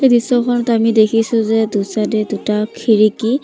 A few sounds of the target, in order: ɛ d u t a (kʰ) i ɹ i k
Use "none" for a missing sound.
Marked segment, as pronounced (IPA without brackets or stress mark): kʰ